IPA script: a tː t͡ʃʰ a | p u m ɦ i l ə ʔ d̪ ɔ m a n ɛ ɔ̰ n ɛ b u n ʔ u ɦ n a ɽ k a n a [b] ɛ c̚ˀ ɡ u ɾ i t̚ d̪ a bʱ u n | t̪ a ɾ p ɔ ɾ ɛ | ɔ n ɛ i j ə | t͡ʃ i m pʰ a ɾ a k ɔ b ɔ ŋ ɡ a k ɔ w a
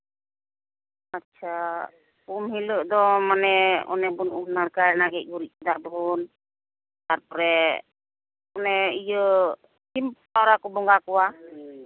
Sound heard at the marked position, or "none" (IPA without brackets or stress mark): ɡ